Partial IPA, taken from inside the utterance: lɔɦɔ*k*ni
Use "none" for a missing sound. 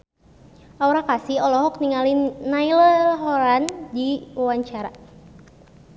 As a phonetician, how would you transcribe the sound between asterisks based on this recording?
k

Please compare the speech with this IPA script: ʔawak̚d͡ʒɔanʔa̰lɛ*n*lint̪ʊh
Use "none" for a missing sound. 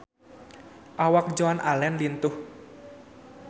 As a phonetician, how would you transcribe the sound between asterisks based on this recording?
n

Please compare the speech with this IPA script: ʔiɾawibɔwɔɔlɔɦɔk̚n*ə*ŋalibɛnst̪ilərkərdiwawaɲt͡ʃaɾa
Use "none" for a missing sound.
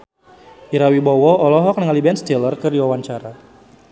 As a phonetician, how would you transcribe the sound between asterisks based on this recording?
ə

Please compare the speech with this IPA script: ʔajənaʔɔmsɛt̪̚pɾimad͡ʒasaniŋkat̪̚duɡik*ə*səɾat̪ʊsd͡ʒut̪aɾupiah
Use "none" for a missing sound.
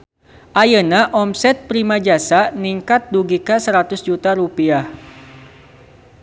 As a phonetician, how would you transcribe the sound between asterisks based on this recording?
a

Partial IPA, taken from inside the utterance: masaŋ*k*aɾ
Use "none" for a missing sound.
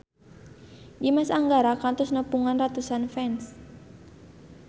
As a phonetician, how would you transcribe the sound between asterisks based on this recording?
ɡ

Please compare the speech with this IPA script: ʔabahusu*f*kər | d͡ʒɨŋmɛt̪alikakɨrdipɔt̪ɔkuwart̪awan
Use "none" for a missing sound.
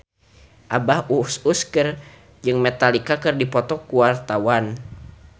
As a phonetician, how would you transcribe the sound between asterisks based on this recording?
s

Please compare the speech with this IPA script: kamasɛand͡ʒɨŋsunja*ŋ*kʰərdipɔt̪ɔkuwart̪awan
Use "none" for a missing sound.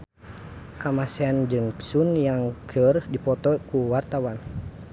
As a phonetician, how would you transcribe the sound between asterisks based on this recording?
ŋ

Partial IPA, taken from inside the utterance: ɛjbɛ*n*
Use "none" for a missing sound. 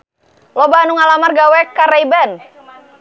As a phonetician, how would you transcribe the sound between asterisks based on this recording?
n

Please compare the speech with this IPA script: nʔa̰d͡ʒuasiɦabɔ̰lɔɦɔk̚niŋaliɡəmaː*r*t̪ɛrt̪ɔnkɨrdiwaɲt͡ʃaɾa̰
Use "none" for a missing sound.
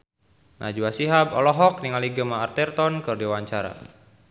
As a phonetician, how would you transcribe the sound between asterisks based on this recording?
r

